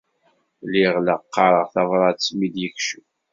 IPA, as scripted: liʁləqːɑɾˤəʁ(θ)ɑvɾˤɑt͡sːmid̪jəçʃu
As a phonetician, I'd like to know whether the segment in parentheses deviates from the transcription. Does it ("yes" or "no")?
no